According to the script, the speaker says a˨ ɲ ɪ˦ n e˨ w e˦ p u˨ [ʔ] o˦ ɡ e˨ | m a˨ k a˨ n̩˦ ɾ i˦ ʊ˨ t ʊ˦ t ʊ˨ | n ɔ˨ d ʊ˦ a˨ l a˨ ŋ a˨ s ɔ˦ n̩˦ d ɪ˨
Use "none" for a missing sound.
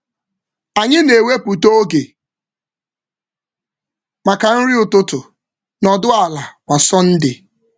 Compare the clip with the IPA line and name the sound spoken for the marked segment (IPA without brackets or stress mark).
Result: t